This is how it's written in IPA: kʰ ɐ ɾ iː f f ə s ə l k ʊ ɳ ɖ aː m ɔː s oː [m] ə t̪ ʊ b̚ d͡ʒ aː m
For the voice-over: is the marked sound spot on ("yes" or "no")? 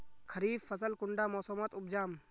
yes